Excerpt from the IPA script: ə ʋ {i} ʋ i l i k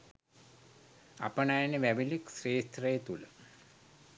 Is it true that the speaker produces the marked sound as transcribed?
no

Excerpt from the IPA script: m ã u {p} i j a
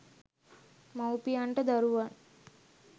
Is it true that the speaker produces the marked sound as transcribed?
yes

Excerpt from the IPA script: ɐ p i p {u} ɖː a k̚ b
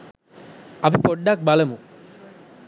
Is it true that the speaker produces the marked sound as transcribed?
no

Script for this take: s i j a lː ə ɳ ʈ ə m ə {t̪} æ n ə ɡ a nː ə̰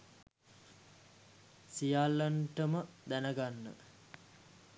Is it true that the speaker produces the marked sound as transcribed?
no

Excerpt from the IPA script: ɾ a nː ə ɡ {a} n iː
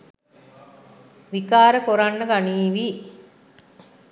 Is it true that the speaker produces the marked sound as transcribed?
yes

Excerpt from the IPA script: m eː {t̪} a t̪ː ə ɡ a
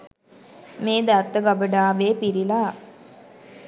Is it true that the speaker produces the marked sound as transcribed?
no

